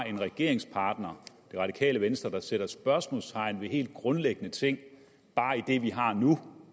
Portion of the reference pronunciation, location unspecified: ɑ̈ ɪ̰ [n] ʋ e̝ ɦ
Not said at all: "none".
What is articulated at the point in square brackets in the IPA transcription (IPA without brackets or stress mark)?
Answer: n